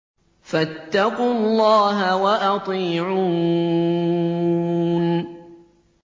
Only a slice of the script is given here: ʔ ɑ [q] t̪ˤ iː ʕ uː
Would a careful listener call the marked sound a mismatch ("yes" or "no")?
yes